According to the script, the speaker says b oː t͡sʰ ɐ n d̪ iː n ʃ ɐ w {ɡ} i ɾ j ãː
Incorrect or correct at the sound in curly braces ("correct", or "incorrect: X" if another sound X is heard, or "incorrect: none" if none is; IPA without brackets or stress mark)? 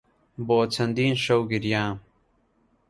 correct